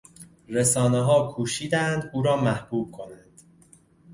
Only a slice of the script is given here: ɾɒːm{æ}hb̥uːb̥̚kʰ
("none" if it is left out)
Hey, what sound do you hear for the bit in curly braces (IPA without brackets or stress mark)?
æ